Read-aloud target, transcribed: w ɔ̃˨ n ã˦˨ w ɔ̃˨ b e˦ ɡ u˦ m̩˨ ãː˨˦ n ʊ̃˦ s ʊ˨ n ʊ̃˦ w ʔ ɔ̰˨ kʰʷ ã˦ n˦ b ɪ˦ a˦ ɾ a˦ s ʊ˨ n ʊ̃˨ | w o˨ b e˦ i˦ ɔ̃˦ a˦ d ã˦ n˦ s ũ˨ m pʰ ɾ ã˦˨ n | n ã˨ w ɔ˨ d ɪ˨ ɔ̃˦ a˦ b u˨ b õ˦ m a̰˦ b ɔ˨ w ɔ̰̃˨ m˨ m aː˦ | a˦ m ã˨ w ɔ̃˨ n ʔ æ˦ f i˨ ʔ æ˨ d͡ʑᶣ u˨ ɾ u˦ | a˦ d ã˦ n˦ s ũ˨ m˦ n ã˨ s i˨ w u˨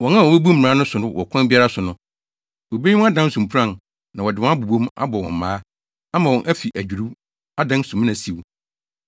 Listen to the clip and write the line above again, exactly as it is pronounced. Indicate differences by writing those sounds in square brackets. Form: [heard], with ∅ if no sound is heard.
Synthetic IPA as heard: w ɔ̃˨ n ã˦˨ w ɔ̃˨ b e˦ [b] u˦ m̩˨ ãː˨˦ n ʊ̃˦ s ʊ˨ n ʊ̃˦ w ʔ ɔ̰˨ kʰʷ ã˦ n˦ b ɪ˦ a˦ ɾ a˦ s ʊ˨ n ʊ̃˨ | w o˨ b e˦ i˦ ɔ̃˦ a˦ d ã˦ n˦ s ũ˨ m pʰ ɾ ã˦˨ n | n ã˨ w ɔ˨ d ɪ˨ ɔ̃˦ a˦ b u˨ b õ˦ m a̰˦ b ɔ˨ w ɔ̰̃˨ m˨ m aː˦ | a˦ m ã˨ w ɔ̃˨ n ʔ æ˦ f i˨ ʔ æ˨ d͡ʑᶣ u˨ ɾ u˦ | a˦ d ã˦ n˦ s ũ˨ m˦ n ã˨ s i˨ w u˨